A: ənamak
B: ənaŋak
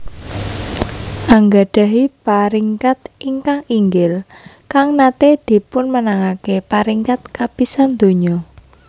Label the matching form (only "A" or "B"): B